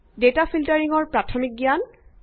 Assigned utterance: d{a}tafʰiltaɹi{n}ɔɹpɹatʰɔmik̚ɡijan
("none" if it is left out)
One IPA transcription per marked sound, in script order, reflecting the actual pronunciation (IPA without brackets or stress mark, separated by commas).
e, ŋ